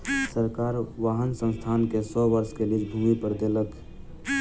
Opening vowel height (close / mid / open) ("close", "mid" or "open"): mid